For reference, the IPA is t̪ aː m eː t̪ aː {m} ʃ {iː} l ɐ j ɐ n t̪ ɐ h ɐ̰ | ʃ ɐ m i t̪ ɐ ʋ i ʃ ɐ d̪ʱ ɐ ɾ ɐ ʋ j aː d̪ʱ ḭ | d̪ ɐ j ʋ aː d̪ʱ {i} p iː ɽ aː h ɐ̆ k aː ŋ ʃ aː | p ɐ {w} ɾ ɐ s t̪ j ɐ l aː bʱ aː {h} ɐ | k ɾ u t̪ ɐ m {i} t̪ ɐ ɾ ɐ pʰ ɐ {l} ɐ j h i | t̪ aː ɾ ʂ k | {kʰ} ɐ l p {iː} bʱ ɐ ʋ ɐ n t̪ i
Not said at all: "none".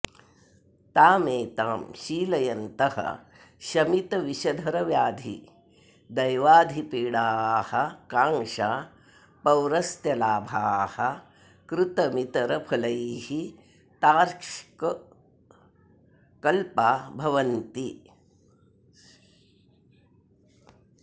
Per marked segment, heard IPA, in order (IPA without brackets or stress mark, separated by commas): m, iː, i, w, h, i, l, k, aː